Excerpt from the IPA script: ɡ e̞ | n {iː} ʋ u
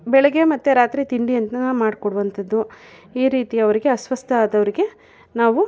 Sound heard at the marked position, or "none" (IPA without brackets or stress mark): aː